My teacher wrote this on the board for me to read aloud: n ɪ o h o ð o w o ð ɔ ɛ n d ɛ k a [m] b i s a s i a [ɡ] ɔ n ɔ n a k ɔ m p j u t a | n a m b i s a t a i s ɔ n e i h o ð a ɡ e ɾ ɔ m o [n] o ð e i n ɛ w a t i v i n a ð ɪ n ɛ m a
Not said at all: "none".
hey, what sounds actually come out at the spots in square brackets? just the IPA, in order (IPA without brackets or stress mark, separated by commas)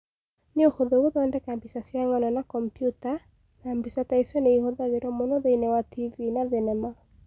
m, ŋ, n